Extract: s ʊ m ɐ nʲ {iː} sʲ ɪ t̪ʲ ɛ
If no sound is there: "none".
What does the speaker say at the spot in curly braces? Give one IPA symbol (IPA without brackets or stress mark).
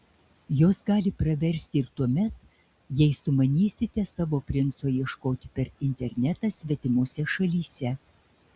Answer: iː